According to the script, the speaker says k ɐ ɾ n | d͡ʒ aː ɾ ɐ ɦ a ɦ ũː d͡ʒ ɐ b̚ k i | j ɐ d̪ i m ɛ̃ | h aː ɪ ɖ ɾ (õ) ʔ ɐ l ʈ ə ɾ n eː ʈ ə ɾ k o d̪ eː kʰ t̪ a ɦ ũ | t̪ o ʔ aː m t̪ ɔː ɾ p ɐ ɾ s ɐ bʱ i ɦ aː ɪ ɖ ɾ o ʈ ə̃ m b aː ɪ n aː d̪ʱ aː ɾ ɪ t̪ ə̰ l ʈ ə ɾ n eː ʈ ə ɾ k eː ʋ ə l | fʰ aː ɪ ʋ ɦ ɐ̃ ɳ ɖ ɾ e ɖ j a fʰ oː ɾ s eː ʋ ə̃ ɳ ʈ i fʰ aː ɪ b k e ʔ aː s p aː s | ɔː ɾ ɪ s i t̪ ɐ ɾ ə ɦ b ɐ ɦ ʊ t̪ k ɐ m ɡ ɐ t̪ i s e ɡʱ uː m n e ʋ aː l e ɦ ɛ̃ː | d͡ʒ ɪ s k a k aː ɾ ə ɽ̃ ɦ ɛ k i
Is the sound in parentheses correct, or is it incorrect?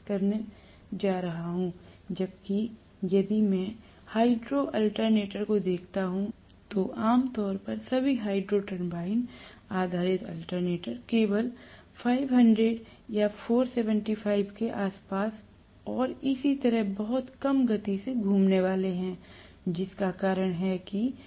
incorrect: o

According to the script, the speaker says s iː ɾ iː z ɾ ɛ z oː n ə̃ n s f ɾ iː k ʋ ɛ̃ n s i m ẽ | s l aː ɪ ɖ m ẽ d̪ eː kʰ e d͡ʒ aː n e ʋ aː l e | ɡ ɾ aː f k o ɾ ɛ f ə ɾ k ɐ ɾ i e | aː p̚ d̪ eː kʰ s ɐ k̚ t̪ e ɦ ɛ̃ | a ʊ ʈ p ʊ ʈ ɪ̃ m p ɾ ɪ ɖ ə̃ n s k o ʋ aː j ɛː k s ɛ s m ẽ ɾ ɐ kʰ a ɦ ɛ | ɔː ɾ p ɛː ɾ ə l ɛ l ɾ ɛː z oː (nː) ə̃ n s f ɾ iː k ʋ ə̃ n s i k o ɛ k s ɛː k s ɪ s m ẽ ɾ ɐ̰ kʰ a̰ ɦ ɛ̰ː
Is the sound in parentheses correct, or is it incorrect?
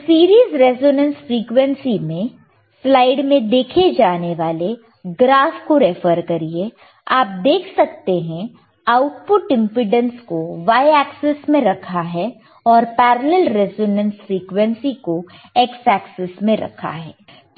incorrect: n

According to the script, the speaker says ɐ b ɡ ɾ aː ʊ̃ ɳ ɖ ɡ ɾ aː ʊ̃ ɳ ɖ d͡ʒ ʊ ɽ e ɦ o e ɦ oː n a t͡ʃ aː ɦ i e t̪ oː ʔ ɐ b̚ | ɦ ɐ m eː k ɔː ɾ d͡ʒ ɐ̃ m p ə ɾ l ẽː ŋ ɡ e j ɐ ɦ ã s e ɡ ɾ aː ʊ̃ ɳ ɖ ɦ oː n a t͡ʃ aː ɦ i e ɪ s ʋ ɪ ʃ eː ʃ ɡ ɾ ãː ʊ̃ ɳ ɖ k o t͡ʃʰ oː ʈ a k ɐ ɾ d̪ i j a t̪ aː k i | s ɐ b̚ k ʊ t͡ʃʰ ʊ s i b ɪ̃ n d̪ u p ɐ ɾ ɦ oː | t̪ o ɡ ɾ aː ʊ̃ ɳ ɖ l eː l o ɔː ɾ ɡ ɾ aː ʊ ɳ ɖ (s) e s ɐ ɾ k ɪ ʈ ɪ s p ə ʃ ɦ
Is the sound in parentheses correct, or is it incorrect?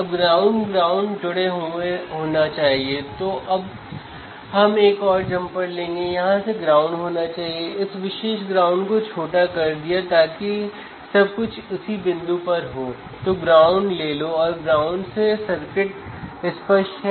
correct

